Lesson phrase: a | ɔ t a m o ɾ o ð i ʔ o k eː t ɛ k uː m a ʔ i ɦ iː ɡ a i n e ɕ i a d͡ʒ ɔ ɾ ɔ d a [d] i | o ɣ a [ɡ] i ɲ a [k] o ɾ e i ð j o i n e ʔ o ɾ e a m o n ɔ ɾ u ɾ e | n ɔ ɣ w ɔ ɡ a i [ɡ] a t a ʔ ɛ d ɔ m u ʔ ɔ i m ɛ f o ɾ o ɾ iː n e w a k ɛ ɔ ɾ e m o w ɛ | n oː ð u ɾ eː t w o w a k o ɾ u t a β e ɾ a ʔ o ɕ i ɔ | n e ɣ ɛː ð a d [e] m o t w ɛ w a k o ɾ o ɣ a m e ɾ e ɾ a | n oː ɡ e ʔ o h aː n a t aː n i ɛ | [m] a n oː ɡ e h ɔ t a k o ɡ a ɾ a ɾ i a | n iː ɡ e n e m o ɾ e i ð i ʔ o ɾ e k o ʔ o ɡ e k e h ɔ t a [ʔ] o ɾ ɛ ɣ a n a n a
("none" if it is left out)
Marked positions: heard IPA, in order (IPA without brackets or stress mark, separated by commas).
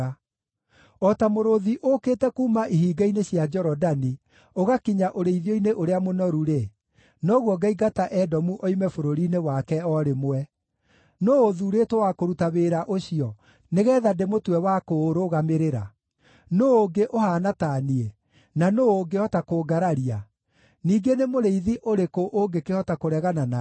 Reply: n, k, ʔ, ɡ, e, n, k